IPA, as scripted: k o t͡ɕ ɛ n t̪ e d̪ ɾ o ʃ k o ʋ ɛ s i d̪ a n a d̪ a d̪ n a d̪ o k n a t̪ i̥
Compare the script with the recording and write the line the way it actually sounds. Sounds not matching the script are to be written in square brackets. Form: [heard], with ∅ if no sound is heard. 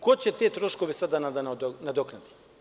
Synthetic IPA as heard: k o t͡ɕ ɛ [∅] t̪ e [t̪] ɾ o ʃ k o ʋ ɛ s [a] d̪ a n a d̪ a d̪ n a d̪ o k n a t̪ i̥